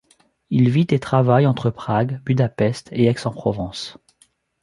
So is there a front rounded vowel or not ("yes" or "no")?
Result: yes